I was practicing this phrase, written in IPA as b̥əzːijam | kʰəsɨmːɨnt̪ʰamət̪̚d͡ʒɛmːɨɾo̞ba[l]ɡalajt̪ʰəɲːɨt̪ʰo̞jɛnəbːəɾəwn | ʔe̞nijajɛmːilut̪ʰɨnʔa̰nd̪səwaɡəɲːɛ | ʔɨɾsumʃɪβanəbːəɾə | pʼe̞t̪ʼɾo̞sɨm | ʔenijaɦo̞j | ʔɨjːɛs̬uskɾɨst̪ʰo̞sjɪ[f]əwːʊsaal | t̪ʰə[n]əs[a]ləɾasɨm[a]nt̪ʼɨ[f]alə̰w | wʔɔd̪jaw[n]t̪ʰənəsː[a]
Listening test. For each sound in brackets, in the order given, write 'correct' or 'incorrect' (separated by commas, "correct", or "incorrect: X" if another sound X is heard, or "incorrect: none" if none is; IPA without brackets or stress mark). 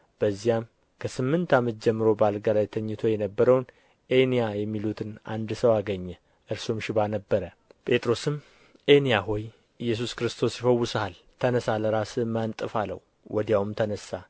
correct, correct, correct, correct, correct, correct, incorrect: m, correct